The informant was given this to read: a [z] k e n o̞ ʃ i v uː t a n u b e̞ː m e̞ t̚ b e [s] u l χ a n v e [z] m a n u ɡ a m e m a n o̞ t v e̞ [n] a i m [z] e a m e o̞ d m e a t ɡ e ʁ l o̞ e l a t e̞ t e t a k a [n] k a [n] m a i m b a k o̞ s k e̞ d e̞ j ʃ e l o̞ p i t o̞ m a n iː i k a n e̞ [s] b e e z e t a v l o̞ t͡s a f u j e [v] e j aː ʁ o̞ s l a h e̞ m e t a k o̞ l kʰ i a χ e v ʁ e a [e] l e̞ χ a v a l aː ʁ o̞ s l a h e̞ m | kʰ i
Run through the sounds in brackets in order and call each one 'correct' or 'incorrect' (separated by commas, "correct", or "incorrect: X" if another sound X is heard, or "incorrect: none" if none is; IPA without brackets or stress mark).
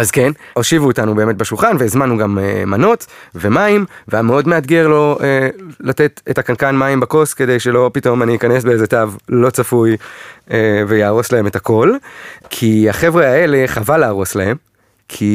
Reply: correct, incorrect: ʃ, correct, incorrect: m, incorrect: v, correct, correct, correct, correct, correct